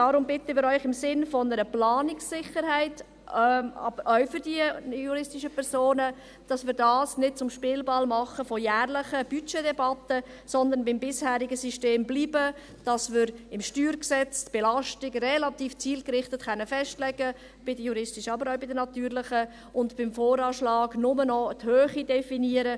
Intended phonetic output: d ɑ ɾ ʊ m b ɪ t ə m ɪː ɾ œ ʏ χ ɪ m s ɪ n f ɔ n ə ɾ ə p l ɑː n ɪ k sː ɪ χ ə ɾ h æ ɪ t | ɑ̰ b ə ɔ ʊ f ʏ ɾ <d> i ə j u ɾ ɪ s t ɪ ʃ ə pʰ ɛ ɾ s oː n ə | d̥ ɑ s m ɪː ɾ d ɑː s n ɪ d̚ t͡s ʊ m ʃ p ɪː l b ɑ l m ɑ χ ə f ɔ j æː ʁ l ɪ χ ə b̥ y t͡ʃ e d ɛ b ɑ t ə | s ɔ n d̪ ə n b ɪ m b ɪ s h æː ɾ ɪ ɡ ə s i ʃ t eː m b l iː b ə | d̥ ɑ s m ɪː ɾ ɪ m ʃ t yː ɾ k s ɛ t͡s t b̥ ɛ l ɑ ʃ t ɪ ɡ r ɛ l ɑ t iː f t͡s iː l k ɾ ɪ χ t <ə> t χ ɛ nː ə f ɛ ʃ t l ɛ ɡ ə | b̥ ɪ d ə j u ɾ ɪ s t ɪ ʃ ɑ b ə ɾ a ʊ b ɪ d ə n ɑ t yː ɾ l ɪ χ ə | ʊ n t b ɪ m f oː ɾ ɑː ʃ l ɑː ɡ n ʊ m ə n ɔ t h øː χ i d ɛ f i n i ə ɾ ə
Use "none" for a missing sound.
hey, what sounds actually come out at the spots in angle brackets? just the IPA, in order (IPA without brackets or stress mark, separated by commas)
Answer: d, ə